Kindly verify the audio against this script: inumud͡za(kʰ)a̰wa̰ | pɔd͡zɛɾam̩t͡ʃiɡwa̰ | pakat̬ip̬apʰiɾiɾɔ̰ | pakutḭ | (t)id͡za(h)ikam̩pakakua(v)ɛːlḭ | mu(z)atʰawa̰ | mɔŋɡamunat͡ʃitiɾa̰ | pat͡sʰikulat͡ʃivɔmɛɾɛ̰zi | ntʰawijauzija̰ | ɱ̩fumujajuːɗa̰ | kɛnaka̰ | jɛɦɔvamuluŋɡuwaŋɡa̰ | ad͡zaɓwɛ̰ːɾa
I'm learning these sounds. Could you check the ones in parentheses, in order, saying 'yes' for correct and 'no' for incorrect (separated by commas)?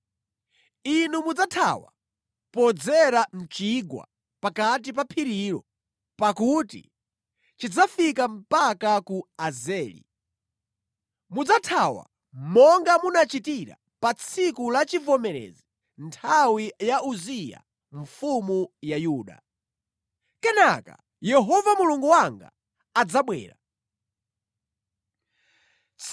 no, no, no, no, no